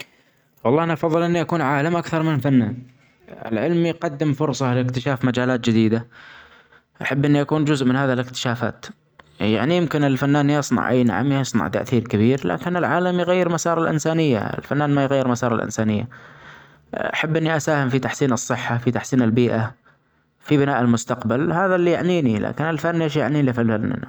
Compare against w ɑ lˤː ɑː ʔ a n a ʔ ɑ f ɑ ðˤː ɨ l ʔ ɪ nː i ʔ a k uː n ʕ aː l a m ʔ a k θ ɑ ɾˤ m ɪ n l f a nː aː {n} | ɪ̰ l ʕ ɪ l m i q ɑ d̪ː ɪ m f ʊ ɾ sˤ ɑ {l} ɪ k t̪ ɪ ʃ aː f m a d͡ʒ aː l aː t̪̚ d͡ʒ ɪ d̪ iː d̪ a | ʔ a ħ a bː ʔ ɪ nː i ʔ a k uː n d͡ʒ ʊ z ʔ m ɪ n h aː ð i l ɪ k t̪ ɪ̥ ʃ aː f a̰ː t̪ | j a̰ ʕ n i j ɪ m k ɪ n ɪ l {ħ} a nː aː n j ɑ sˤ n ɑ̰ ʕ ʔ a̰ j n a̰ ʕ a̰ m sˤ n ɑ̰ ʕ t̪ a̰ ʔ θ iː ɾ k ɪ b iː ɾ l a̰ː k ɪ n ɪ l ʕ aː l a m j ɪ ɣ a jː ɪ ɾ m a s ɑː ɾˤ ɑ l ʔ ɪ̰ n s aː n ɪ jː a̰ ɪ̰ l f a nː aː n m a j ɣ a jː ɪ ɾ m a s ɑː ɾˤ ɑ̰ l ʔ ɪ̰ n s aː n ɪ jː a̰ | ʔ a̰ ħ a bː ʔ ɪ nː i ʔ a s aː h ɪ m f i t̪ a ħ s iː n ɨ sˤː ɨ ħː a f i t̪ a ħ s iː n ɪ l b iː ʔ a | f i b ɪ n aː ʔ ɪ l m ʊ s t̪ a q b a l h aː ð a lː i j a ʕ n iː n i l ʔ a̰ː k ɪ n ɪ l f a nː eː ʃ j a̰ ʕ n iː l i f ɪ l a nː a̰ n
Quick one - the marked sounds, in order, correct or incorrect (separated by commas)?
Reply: correct, correct, incorrect